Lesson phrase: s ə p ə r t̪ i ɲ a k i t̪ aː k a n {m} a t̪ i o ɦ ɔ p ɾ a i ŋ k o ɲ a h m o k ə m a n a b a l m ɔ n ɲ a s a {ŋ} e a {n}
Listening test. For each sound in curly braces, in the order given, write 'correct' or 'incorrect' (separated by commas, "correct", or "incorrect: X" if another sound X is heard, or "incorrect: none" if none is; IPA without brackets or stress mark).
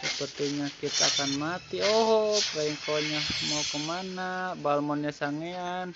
correct, correct, correct